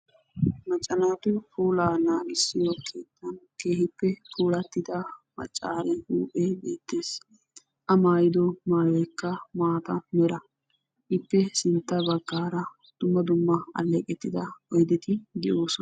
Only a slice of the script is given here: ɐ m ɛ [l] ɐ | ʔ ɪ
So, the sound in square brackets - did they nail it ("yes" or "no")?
no